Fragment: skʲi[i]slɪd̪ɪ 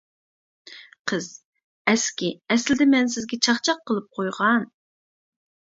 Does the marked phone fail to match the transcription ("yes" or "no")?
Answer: yes